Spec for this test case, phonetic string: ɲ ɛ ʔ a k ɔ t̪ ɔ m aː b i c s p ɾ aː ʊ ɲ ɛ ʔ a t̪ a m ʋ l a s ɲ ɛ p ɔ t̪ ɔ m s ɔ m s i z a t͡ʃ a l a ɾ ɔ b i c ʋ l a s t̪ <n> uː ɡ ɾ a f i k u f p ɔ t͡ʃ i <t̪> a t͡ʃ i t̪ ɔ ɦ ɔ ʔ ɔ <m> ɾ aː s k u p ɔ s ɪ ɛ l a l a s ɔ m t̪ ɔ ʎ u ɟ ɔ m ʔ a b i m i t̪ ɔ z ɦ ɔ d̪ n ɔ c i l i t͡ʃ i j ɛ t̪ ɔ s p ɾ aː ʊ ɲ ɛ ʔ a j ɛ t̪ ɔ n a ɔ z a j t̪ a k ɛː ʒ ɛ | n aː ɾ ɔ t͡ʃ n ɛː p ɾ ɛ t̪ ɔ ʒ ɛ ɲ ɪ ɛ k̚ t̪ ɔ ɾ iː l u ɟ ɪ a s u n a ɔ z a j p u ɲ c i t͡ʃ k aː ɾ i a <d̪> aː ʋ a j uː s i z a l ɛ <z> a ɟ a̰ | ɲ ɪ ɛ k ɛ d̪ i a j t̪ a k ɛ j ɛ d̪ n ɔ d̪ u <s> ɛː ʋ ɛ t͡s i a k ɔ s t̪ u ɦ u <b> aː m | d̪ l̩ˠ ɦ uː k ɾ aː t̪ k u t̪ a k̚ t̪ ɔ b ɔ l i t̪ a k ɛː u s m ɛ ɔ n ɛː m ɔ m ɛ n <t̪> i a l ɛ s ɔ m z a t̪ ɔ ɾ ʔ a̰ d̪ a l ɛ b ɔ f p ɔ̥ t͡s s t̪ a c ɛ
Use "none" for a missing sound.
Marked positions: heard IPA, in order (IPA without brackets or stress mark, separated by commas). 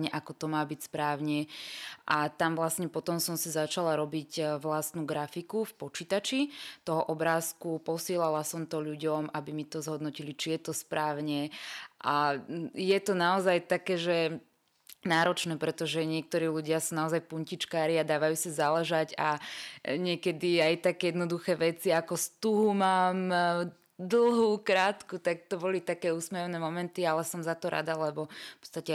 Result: n, t̪, b, d̪, ʒ, x, m, t̪